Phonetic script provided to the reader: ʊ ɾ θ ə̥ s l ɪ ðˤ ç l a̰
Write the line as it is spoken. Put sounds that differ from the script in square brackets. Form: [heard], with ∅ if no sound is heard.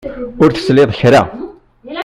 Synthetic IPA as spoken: ʊ ɾ θ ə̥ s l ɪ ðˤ ç [ɾ] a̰